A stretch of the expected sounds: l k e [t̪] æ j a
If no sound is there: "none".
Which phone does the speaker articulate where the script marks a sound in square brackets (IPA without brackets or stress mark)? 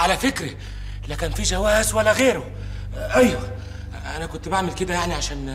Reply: d̪